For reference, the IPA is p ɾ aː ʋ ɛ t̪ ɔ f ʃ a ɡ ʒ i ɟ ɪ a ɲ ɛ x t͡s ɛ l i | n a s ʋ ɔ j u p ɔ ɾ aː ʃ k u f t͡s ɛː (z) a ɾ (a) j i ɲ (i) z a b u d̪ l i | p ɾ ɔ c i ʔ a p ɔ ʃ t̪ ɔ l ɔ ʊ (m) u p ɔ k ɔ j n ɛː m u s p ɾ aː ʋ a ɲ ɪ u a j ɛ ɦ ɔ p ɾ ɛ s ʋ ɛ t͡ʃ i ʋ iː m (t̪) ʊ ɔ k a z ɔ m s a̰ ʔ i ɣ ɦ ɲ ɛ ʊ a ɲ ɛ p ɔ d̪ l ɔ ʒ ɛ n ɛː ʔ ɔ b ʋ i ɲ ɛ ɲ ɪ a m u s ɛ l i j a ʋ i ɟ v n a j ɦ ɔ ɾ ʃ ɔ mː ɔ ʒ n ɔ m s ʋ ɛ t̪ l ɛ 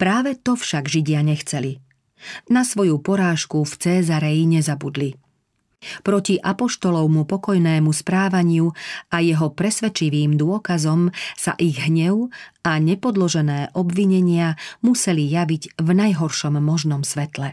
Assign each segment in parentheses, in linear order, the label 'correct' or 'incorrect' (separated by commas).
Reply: correct, incorrect, incorrect, correct, incorrect